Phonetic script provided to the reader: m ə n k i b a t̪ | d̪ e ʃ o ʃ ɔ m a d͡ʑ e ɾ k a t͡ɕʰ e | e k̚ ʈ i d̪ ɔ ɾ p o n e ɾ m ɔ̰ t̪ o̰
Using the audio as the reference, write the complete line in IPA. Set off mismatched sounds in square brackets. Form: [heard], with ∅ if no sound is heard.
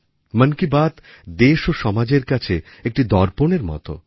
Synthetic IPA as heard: m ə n k i b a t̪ | d̪ e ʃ o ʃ ɔ m a d͡ʑ e ɾ k a t͡ɕʰ e | e k̚ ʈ i d̪ ɔ ɾ p o n e ɾ m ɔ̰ t̪ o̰